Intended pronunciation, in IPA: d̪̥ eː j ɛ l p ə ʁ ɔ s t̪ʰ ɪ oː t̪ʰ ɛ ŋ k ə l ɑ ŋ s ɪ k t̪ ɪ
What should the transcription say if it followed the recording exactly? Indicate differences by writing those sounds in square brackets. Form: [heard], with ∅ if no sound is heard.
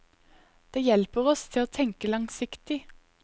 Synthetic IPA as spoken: d̪̥ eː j ɛ l p ə ʁ ɔ s t̪ʰ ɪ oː t̪ʰ ɛ ŋ k ə l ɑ ŋ s ɪ k t̪ ɪ